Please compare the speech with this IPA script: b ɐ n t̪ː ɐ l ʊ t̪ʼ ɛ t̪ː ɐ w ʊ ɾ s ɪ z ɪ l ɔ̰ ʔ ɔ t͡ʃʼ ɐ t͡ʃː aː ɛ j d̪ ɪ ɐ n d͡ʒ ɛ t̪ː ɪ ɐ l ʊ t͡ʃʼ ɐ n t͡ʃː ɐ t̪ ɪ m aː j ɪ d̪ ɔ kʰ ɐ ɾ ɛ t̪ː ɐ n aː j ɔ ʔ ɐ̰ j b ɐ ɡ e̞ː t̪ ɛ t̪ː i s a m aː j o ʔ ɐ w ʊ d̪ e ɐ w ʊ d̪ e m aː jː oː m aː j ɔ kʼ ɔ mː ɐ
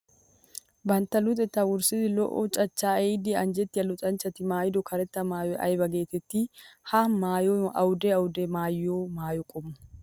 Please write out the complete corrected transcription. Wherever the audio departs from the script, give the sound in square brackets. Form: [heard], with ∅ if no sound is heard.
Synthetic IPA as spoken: b ɐ n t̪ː ɐ l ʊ t̪ʼ ɛ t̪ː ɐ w ʊ ɾ s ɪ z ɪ l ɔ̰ ʔ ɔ t͡ʃʼ ɐ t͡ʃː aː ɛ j d̪ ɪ ɐ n d͡ʒ ɛ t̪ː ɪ ɐ l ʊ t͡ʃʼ ɐ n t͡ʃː ɐ t̪ ɪ m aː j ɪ d̪ ɔ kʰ ɐ ɾ ɛ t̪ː ɐ [m] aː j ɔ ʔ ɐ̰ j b ɐ ɡ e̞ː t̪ ɛ t̪ː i [h] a m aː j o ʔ ɐ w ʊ d̪ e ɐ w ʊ d̪ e m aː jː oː m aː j ɔ kʼ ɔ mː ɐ